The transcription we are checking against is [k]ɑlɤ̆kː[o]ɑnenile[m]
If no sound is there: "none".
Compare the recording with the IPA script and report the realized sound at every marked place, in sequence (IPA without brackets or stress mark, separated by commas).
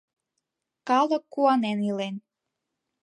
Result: k, u, n